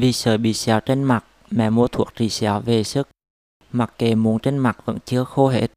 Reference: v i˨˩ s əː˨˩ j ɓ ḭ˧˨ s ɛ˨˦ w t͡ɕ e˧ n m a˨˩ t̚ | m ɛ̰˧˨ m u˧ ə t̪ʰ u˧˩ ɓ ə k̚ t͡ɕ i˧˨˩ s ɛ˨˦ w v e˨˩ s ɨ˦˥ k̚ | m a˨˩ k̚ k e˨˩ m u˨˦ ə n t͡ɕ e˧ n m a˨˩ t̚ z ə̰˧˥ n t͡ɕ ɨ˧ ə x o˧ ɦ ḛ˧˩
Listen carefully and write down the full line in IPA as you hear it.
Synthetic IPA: v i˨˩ s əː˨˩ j ɓ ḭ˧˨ s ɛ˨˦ w t͡ɕ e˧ n m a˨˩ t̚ | m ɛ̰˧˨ m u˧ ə t̪ʰ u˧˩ ə k̚ t͡ɕ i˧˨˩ s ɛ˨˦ w v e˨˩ s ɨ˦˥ k̚ | m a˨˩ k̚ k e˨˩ m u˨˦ ə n t͡ɕ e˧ n m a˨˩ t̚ v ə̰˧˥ n t͡ɕ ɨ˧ ə x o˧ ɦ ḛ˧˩